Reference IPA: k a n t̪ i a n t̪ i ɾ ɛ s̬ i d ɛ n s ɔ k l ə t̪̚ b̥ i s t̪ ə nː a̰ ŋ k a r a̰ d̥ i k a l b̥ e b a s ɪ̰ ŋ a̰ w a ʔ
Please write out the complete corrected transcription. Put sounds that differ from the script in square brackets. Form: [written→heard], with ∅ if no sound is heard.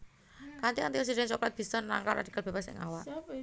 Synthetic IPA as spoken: k a n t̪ i a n t̪ i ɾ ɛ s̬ i d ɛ n s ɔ k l [ə→a] t̪̚ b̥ i s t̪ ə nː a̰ ŋ k a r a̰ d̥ i k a l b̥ e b a s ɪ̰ ŋ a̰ w a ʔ